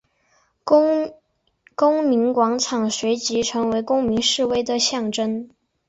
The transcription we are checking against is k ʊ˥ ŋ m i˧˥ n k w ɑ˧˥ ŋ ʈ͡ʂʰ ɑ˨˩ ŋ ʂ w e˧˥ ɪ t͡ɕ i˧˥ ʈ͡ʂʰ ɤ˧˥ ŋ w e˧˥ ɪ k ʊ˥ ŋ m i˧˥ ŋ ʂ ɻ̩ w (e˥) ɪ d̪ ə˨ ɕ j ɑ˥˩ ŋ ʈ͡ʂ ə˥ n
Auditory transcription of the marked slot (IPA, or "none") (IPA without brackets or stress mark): e˥